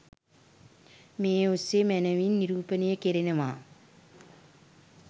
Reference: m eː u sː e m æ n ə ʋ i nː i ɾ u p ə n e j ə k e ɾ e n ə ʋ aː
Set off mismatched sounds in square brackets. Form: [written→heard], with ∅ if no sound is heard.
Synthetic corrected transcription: m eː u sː e m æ n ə ʋ i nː i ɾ [u→uː] p ə n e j ə k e ɾ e n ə ʋ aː